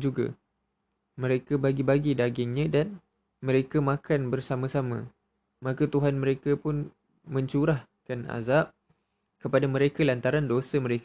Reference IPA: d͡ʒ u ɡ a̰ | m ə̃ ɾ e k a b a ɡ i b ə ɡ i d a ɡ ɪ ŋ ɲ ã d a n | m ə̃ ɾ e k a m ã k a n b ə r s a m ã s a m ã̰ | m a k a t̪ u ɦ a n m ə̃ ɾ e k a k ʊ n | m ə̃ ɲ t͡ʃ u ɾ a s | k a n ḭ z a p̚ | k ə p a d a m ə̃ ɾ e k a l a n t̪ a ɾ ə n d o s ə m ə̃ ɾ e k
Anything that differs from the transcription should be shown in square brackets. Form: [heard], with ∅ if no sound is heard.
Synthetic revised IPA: d͡ʒ u ɡ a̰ | m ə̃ ɾ e k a b a ɡ i b [a] ɡ i d a ɡ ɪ ŋ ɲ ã d a n | m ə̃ ɾ e k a m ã k a n b ə r s a m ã s a m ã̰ | m a k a t̪ u ɦ a n m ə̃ ɾ e k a [p] ʊ n | m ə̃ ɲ t͡ʃ u ɾ a [h] | k a n [a̰] z a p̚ | k ə p a d a m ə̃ ɾ e k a l a n t̪ a ɾ [a] n d o s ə m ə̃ ɾ e k